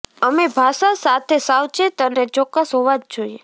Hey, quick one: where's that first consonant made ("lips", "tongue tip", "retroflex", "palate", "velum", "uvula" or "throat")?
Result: lips